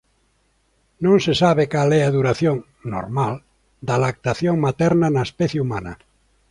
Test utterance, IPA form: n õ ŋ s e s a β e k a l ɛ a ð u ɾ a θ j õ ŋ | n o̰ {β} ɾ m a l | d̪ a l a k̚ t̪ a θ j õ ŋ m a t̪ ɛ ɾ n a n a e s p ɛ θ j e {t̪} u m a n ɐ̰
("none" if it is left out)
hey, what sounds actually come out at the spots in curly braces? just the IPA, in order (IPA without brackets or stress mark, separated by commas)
none, none